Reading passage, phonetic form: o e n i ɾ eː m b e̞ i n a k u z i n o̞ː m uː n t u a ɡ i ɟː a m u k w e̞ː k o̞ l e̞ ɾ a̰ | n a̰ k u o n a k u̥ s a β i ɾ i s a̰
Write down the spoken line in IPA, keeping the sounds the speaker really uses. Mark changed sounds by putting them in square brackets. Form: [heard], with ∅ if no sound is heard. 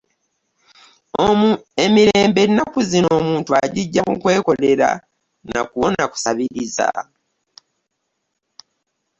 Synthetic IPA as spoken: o e [m] i ɾ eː m b e̞ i n a k u z i n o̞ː m uː n t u a [ɟ] i ɟː a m u k w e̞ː k o̞ l e̞ ɾ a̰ | n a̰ k u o n a k u̥ s a β i ɾ i [z] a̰